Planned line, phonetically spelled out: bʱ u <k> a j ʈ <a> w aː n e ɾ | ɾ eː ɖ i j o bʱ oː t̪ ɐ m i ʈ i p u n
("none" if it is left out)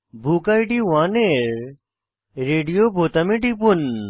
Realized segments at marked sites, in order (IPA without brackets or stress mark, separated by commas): k, i